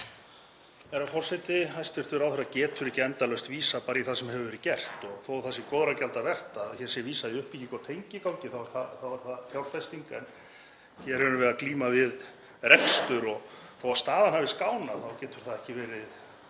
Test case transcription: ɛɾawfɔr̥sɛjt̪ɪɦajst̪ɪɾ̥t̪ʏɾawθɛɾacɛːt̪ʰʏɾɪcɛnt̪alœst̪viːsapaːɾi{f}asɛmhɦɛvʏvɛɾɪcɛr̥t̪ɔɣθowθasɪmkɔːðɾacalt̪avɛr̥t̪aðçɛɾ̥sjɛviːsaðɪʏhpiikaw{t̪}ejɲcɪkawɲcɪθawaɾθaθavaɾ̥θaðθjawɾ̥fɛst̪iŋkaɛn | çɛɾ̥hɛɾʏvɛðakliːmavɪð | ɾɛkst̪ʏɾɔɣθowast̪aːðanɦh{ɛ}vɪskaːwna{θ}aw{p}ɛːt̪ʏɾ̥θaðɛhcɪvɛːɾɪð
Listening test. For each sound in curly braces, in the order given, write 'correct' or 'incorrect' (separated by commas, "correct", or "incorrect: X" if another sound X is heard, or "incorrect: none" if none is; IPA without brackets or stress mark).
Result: incorrect: θ, incorrect: t̪ʰ, incorrect: a, correct, incorrect: c